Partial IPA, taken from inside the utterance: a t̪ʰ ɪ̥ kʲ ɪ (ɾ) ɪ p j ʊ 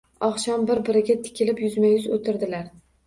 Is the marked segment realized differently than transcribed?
yes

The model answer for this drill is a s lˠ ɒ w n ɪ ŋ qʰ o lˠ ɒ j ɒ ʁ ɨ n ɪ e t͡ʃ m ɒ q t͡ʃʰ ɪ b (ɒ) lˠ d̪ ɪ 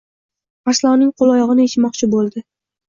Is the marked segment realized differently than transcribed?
yes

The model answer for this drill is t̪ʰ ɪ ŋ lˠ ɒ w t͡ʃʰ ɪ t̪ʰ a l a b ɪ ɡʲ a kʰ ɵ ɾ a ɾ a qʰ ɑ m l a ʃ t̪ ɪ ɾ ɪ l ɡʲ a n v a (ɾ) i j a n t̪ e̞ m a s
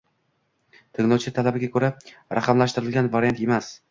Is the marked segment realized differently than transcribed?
no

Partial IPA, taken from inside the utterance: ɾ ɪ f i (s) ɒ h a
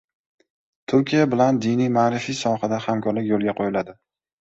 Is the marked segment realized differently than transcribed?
no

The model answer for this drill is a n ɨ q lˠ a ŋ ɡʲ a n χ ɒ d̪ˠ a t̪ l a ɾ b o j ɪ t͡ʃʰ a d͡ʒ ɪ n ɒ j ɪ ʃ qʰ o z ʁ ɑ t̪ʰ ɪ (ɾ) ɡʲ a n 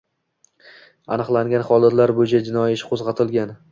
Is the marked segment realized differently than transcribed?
yes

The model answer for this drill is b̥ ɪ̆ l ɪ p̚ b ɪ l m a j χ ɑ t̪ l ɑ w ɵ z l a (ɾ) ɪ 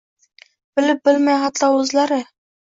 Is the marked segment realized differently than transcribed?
no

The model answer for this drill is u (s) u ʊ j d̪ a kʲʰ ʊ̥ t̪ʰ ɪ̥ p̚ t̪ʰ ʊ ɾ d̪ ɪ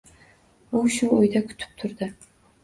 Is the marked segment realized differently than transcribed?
yes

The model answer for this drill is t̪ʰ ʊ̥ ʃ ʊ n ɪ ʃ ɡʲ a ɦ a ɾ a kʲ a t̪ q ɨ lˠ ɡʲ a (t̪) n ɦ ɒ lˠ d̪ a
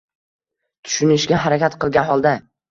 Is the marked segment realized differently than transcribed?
yes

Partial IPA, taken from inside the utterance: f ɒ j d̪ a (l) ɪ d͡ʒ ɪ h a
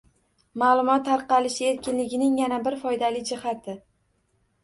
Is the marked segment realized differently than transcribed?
no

